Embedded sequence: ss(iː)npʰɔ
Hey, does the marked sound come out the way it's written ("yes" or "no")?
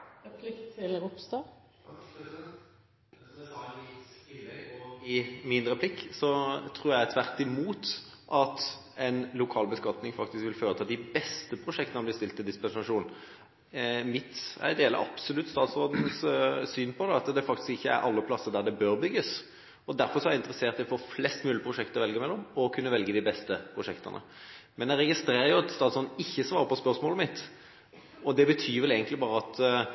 no